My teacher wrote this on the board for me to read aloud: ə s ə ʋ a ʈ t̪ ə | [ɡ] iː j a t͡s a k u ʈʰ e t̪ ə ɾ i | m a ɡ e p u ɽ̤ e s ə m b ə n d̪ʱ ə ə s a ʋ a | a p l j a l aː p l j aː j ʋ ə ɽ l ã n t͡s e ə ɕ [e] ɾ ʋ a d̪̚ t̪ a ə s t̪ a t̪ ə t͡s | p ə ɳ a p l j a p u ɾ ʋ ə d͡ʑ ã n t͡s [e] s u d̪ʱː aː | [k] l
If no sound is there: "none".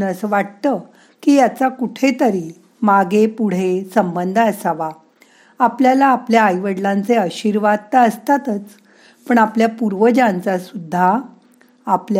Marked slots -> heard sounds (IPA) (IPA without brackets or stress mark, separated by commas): k, i, a, p